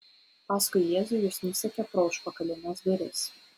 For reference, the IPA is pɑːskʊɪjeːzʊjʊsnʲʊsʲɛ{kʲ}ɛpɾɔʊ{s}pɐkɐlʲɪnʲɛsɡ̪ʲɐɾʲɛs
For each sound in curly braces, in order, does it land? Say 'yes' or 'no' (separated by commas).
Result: yes, no